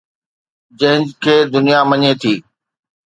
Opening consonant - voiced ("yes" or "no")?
yes